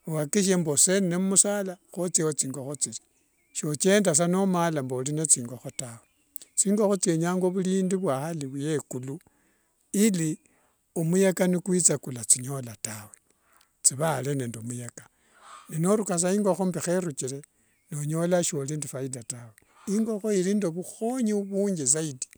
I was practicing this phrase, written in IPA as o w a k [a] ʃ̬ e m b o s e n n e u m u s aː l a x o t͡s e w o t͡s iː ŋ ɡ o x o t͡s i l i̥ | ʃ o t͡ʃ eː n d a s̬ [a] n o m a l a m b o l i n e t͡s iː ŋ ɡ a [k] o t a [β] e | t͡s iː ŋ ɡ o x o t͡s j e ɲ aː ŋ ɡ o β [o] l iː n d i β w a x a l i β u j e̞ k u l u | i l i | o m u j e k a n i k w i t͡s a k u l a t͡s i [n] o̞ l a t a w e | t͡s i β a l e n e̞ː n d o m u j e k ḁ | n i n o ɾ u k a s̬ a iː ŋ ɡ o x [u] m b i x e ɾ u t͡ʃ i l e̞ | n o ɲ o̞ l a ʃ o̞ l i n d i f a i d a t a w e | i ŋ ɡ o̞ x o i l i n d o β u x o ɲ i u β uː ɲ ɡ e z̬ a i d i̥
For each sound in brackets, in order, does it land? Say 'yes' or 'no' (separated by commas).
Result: no, yes, no, no, no, no, no